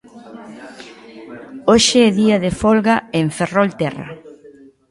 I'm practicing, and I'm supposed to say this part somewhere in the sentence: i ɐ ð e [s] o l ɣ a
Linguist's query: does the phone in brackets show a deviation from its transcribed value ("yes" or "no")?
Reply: yes